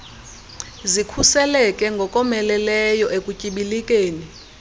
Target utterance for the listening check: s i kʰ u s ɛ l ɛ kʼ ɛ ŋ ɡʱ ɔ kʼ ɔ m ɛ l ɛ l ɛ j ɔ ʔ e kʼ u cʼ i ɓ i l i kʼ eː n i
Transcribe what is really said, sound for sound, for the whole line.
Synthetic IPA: z i kʰ u s ɛ l ɛ kʼ ɛ ŋ ɡʱ ɔ kʼ ɔ m ɛ l ɛ l ɛ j ɔ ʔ e kʼ u cʼ i ɓ i l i kʼ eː n i